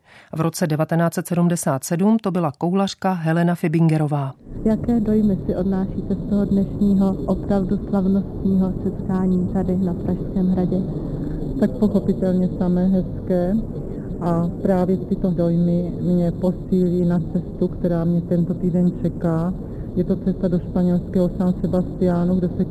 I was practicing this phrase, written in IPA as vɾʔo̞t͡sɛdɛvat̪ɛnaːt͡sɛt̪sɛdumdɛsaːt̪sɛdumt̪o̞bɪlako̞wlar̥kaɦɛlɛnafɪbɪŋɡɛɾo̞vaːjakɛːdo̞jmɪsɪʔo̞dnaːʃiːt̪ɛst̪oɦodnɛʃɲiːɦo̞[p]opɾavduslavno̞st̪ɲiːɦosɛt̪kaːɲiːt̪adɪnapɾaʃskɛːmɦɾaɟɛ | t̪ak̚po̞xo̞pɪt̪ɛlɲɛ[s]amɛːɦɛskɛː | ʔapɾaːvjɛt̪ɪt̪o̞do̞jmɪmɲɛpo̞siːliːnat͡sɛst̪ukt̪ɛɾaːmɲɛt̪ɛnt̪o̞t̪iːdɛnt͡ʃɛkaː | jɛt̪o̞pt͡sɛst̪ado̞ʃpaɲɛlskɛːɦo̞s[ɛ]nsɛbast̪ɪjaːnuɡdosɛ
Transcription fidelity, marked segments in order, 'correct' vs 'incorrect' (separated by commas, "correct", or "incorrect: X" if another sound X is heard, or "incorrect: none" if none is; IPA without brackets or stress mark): incorrect: ʔ, correct, incorrect: a